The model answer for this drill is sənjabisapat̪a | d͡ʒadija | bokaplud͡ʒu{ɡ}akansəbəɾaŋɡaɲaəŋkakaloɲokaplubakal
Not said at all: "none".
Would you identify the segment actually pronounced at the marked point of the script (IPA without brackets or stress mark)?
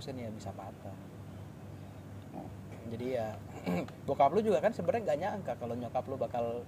ɡ